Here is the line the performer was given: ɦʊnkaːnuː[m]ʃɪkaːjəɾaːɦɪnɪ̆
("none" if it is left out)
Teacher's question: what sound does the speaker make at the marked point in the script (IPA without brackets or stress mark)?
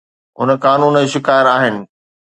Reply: n